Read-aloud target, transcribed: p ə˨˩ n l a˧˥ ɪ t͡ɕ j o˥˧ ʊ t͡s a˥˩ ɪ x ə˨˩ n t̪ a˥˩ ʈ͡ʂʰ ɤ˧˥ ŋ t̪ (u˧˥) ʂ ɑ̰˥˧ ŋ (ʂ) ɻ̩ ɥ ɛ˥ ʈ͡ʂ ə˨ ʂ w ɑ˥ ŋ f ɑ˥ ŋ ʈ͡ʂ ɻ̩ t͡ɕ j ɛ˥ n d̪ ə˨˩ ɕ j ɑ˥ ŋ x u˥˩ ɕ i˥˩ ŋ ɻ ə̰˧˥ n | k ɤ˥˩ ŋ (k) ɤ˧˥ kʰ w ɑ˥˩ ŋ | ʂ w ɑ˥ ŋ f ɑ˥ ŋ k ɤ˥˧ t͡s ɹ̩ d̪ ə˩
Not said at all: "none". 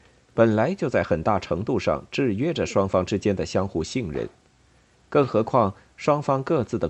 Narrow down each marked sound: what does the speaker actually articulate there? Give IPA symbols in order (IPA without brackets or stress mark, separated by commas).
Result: u˥˧, ʈ͡ʂ, x